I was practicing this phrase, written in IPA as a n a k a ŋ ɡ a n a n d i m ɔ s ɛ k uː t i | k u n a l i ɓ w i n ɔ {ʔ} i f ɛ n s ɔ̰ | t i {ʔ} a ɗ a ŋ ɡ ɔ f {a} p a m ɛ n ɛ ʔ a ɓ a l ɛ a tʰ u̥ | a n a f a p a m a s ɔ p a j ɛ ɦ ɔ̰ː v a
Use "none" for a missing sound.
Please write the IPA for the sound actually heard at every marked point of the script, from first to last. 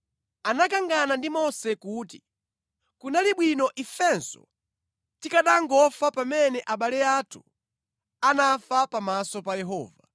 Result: ʔ, k, a

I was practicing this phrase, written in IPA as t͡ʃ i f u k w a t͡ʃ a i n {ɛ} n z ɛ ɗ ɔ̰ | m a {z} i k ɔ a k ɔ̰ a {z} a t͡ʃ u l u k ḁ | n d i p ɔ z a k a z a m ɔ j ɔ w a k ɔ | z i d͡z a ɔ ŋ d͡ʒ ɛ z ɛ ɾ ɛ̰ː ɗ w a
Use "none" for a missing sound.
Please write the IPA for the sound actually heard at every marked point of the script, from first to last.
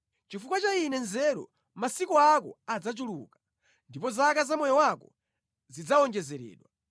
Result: ɛ, s, d͡z

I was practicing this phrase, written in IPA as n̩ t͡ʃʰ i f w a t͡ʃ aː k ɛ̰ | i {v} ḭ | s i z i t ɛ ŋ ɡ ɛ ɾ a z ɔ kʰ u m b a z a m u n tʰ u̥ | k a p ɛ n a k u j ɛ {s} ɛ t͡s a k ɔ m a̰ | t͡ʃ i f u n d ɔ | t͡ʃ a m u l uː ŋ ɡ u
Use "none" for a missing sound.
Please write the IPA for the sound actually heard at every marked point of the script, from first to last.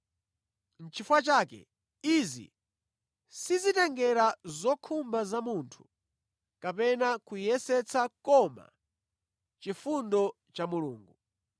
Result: z, s

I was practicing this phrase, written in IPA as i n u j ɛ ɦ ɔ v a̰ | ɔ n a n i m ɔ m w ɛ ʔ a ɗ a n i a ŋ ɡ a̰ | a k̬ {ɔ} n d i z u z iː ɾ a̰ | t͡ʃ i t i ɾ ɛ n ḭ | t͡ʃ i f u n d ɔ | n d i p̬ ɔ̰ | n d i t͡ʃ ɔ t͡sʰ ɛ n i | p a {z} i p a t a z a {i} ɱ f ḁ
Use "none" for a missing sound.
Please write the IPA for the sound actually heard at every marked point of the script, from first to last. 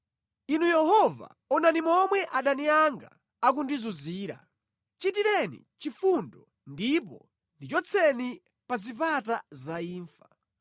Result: u, z, iː

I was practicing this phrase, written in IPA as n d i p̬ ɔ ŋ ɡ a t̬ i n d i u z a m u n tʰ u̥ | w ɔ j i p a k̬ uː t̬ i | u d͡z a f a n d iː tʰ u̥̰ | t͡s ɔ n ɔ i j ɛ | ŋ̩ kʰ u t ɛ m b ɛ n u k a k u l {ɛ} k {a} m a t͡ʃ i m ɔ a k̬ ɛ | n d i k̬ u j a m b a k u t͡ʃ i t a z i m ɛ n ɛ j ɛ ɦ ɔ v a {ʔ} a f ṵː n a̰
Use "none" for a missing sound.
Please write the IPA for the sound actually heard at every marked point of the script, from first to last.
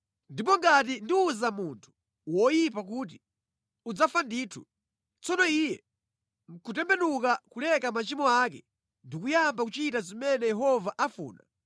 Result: ɛ, a, ʔ

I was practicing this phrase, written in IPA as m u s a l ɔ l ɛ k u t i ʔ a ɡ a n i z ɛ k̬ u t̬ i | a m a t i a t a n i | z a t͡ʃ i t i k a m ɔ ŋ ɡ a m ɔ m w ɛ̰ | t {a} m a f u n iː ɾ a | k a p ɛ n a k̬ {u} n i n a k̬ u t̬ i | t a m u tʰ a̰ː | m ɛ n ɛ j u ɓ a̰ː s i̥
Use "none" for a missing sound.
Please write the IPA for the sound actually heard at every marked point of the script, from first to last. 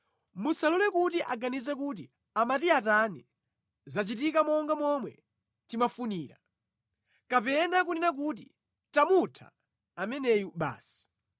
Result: i, u

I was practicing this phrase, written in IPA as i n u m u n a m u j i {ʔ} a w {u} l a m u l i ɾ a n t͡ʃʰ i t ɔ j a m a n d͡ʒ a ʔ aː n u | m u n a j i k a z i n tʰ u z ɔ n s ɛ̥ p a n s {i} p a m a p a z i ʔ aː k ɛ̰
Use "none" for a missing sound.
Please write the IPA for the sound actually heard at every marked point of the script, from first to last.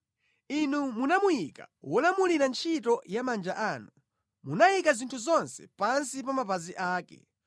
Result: k, ɔ, i

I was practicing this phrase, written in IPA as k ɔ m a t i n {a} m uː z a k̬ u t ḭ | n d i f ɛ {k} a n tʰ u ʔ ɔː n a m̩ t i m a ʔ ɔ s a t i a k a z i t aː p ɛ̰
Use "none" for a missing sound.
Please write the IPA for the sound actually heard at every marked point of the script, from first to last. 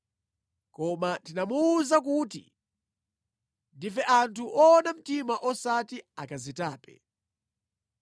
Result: a, ʔ

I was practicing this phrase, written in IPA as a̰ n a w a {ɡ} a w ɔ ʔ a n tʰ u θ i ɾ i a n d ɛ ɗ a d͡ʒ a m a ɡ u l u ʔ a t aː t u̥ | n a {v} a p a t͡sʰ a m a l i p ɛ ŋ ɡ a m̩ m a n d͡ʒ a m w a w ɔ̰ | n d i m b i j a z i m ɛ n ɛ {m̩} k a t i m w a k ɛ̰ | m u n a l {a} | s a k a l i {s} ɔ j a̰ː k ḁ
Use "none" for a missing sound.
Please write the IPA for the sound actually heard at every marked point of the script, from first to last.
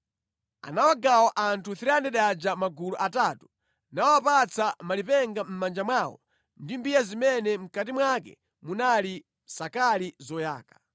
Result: ɡ, w, m̩, i, z

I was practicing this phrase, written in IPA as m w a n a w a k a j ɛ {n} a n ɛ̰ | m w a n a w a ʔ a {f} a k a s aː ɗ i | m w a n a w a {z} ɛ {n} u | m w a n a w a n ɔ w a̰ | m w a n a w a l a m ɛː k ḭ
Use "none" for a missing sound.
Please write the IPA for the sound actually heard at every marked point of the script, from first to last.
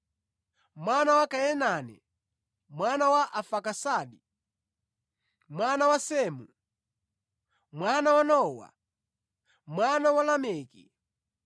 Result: n, f, s, m

